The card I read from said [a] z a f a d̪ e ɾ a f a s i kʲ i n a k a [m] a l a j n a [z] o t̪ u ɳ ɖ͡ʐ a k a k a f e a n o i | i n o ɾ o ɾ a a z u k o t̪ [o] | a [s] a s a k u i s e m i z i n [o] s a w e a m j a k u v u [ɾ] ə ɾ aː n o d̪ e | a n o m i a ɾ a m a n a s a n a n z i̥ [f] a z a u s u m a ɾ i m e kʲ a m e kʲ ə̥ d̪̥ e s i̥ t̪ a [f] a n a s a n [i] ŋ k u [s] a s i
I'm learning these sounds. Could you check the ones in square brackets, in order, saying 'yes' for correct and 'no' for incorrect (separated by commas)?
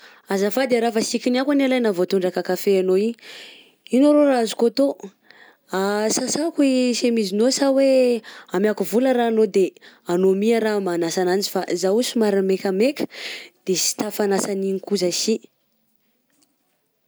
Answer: yes, no, no, yes, yes, yes, no, yes, yes, yes, no